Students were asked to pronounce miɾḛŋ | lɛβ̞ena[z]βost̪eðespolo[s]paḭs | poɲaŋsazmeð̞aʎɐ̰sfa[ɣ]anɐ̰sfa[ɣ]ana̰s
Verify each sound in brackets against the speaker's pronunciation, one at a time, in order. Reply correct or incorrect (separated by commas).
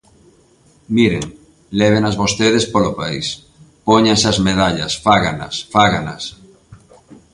correct, incorrect, correct, correct